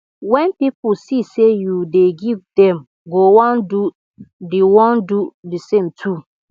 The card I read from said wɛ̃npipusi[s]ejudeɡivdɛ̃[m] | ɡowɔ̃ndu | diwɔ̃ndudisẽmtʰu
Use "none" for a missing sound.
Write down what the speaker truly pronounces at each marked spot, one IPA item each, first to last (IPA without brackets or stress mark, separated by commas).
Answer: s, m